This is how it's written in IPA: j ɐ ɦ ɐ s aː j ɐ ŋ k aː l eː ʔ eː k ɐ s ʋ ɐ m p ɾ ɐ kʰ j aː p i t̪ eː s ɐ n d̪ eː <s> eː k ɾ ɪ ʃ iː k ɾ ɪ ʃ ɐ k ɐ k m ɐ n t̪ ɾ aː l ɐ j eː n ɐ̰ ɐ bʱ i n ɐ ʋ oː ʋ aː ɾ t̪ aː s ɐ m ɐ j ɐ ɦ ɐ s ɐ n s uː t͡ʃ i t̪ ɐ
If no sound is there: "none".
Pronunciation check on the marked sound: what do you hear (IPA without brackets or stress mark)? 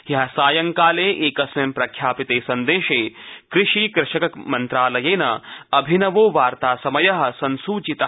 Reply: ʃ